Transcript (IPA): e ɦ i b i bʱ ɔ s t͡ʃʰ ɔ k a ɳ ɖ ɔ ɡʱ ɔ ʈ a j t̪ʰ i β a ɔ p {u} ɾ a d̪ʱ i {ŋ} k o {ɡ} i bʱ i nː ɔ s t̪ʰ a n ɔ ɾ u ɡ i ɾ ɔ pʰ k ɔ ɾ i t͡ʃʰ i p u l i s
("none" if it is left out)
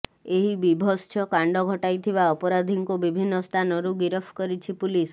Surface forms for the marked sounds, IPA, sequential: ɔ, ŋ, b

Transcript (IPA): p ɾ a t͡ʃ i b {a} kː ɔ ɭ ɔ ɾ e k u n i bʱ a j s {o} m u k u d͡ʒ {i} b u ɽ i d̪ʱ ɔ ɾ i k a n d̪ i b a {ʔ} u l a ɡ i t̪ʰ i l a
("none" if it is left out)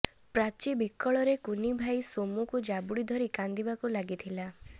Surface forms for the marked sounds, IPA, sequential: i, o, a, k

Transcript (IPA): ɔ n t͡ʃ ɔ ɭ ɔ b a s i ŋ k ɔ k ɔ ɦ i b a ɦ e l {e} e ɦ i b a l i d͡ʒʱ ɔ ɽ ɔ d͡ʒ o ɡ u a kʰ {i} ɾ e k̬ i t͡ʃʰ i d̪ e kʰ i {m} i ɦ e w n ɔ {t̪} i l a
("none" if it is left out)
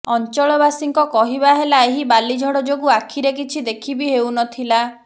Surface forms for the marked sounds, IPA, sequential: a, i, b, t̪ʰ

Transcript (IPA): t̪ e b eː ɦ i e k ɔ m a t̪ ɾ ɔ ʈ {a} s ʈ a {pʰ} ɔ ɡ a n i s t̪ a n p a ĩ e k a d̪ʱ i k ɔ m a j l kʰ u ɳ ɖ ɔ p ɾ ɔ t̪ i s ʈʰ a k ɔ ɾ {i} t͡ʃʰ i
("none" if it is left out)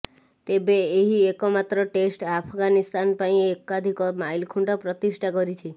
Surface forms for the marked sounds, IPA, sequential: e, pʰ, i

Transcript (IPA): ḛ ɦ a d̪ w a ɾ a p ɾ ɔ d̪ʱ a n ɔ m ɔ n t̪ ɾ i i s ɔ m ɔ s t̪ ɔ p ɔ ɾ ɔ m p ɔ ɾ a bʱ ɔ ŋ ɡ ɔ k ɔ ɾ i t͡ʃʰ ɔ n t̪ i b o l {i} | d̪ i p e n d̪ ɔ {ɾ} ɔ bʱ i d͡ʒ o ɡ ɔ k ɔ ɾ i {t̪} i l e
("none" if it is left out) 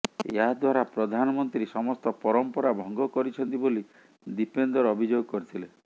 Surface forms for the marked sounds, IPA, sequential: i, ɾ, t̪ʰ

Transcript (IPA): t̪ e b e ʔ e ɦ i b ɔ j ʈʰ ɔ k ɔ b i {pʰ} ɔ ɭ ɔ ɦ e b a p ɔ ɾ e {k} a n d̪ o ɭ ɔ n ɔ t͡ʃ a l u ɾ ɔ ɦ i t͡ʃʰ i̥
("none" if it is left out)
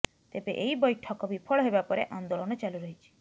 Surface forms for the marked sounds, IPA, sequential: pʰ, ʔ

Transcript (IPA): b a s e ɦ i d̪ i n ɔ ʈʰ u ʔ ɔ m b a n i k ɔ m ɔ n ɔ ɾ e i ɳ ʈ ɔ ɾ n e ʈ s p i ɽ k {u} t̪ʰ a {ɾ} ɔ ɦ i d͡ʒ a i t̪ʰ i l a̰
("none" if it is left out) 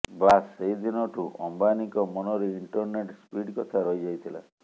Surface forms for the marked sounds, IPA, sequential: ɔ, ɾ

